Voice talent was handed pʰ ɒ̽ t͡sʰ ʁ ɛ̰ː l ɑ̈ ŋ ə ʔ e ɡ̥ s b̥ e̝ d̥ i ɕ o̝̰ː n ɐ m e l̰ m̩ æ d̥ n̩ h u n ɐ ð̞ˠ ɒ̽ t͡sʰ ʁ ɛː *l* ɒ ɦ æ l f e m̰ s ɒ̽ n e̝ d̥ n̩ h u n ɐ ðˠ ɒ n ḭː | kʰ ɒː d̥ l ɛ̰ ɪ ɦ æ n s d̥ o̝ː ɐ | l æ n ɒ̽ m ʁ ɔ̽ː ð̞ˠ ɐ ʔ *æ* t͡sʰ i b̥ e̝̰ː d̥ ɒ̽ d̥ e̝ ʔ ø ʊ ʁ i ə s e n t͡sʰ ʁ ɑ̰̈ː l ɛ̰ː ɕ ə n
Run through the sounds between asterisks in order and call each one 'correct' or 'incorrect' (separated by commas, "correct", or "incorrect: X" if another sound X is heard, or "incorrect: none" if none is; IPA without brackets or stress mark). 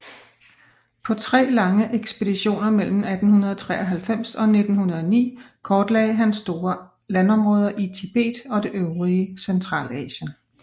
incorrect: none, incorrect: i